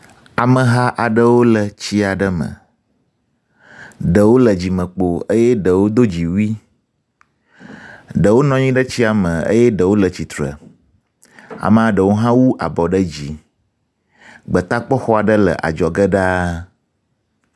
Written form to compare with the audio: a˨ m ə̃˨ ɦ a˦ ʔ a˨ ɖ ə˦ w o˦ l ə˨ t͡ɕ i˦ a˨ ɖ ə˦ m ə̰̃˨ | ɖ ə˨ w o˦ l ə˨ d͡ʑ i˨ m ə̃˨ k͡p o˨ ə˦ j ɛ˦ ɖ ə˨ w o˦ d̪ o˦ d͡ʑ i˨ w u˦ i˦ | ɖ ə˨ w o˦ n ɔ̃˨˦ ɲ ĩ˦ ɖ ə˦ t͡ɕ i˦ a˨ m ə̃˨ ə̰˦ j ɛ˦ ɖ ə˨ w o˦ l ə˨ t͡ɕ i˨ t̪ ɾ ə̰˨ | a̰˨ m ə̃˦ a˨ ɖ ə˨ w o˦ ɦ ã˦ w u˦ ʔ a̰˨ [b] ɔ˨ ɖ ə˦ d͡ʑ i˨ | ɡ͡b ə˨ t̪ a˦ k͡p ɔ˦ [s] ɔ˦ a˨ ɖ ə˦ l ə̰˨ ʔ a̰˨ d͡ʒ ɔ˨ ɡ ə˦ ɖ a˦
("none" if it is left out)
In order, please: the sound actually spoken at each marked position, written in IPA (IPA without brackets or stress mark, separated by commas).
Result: b, x